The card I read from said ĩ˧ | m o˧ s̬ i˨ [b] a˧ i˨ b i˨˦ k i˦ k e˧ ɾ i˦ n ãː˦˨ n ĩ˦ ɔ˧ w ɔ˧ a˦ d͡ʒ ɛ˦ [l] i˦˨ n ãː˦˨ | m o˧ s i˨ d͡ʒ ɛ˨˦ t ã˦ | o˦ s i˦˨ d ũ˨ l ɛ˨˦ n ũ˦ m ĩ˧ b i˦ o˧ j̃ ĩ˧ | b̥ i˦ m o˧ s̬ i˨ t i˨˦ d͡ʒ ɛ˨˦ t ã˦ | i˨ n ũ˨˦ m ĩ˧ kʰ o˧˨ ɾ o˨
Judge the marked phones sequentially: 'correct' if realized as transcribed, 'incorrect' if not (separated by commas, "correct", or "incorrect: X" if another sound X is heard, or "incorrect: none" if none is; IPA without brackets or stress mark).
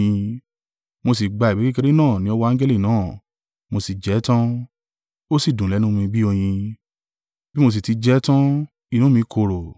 incorrect: ɡ͡b, correct